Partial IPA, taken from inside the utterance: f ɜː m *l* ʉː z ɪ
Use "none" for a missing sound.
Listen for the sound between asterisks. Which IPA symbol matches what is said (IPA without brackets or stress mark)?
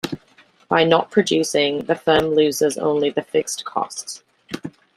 l